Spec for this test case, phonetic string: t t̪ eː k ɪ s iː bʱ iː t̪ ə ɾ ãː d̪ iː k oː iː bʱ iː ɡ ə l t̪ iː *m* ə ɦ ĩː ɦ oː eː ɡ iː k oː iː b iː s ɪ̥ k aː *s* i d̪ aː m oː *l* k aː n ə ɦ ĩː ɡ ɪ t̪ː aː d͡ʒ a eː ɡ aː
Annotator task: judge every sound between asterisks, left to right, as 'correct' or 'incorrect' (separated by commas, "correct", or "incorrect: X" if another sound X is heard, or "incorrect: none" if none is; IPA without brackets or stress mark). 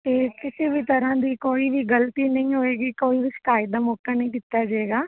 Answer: incorrect: n, incorrect: none, incorrect: none